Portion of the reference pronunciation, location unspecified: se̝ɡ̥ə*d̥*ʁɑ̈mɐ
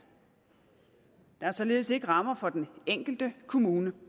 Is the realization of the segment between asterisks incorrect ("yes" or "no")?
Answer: yes